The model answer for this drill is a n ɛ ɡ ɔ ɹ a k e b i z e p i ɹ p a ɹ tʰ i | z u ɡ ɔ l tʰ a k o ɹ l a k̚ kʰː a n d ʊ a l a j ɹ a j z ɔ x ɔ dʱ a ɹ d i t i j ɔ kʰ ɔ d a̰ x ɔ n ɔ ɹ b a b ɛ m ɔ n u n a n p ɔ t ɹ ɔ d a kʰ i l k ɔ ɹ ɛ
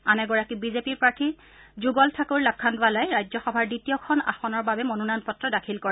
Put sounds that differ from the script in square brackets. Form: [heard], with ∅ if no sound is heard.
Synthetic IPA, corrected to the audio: a n ɛ ɡ ɔ ɹ a k [i] b i z e p i ɹ p a ɹ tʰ i | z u ɡ ɔ l tʰ a k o ɹ l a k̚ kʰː a n d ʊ a l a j ɹ a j z ɔ x ɔ [bʱ] a ɹ d i t i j ɔ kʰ ɔ [n] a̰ x ɔ n ɔ ɹ b a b ɛ m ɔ n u n a n p ɔ t ɹ ɔ d a kʰ i l k ɔ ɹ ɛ